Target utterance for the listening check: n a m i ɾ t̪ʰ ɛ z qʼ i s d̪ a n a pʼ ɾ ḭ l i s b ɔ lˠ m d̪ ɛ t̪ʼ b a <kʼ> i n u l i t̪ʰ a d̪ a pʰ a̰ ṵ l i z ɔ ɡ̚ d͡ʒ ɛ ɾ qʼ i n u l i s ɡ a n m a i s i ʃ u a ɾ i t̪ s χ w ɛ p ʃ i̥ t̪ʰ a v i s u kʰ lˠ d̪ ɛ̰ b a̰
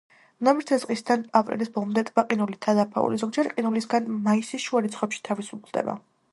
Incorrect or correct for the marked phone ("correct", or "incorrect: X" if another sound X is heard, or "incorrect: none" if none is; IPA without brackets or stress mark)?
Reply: incorrect: qʼ